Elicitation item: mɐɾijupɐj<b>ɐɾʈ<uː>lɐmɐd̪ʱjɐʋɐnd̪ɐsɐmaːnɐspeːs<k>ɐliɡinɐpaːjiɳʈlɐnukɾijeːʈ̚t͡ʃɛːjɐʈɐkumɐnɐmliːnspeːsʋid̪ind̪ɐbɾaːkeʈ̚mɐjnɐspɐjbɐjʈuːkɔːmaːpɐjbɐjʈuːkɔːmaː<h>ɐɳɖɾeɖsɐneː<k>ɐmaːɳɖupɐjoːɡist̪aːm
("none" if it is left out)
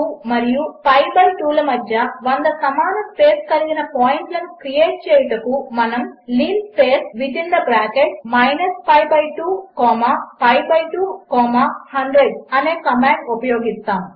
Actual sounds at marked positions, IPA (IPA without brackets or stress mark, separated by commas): b, uː, k, h, k